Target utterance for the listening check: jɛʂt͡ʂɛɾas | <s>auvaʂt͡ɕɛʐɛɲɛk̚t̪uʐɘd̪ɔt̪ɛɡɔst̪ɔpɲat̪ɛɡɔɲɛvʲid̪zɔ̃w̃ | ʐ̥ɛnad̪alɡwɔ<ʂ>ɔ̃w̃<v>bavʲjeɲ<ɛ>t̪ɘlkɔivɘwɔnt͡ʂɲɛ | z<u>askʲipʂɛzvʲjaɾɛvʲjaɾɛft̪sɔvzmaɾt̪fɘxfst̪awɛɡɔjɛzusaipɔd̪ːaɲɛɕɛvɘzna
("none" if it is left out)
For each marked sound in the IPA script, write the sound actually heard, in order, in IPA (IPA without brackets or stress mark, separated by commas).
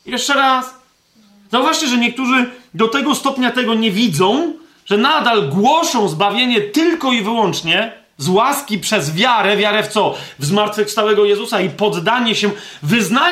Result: z, ʂ, z, ɛ, w